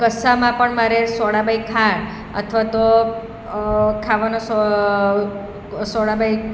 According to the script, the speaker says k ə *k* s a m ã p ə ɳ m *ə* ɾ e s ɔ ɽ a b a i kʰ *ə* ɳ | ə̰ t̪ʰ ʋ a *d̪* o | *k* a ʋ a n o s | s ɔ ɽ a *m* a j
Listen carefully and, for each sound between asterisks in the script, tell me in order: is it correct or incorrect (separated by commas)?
incorrect, incorrect, incorrect, incorrect, incorrect, incorrect